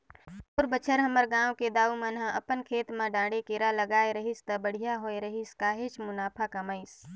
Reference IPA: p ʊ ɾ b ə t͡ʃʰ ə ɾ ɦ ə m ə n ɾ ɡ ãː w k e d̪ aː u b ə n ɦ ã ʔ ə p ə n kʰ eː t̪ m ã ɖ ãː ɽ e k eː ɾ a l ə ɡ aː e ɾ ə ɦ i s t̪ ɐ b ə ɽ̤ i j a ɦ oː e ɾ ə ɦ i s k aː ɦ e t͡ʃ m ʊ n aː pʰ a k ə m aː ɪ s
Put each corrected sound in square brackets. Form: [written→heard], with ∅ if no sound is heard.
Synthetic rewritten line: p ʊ ɾ b ə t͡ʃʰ ə ɾ ɦ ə m ə [n→∅] ɾ ɡ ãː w k e d̪ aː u [b→m] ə n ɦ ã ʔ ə p ə n kʰ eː t̪ m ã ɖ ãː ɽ e k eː ɾ a l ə ɡ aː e ɾ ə ɦ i s t̪ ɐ b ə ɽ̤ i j a ɦ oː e ɾ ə ɦ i s k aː ɦ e t͡ʃ m ʊ n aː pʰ a k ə m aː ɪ s